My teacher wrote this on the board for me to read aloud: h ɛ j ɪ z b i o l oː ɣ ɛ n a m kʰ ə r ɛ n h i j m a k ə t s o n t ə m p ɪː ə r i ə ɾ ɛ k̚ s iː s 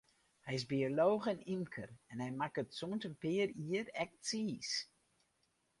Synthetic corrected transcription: h ɛ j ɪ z b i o l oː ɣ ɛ n i m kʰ ə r ɛ n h ɛ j m a k ə t s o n t ə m p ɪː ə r i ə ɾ ɛ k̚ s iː s